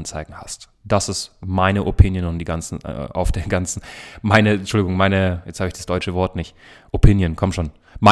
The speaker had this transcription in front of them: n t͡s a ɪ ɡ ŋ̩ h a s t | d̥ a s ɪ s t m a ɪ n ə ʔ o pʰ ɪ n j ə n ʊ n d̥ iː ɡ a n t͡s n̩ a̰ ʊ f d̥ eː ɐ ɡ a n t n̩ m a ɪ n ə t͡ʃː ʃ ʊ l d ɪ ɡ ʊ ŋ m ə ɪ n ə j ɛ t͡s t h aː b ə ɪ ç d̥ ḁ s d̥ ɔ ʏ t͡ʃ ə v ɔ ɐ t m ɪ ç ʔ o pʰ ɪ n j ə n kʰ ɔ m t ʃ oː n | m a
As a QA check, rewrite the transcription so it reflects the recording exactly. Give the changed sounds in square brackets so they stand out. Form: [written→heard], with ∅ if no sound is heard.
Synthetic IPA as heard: n t͡s a ɪ ɡ ŋ̩ h a s t | d̥ a s ɪ s t m a ɪ n ə ʔ o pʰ ɪ n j ə n ʊ n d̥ iː ɡ a n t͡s n̩ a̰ ʊ f d̥ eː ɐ ɡ a n [t→t͡s] n̩ m a ɪ n ə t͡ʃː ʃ ʊ l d ɪ ɡ ʊ ŋ m [ə→a] ɪ n ə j ɛ t͡s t h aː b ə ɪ ç d̥ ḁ s d̥ ɔ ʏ t͡ʃ ə v ɔ ɐ t [m→n] ɪ ç ʔ o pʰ ɪ n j ə n kʰ ɔ m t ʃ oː n | m a